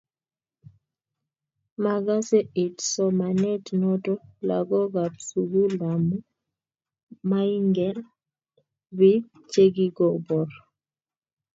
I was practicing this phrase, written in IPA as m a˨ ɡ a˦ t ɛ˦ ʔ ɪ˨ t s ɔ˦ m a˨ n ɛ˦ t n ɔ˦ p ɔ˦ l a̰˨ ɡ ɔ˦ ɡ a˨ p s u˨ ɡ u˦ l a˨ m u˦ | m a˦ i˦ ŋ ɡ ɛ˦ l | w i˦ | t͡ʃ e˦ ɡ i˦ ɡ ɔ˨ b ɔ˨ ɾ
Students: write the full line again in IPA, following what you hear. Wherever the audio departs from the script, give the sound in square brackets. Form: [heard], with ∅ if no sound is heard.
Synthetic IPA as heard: m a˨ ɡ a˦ [s] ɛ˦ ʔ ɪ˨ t s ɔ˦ m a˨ n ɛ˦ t n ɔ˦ [t] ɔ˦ l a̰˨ ɡ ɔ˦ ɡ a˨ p s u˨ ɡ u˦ l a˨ m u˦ | m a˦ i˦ ŋ ɡ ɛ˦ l | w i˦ | t͡ʃ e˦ ɡ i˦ ɡ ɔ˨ b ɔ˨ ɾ